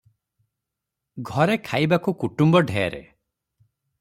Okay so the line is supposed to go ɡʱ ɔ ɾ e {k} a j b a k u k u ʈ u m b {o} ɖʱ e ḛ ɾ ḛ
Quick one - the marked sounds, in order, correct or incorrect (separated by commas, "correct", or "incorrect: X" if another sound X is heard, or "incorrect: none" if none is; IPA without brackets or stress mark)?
incorrect: kʰ, incorrect: ɔ